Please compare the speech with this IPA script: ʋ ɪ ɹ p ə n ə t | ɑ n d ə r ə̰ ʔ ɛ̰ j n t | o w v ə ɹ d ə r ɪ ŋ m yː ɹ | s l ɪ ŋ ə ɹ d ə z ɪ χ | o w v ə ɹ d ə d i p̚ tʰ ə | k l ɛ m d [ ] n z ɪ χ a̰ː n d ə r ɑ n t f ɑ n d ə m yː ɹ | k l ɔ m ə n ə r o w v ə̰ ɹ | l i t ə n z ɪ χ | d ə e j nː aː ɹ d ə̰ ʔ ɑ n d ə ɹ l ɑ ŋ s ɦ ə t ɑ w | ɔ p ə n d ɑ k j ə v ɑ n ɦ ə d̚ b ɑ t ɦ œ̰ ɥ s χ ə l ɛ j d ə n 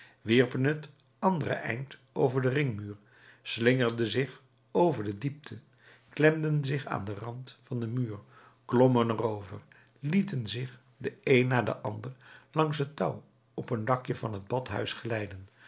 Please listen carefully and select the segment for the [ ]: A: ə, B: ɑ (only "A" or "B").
A